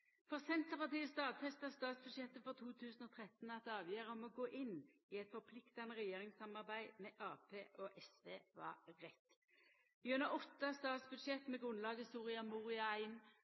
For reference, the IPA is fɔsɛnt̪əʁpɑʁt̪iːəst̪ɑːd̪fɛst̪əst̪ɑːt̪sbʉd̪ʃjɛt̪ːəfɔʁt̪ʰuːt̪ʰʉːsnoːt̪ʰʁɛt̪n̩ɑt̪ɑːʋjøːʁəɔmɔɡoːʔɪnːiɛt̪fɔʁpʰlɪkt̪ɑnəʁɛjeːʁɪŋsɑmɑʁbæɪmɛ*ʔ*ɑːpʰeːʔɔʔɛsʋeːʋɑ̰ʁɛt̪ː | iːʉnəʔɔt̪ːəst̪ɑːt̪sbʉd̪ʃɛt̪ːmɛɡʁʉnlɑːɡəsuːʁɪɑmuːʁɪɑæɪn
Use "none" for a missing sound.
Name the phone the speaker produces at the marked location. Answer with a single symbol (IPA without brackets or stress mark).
ʔ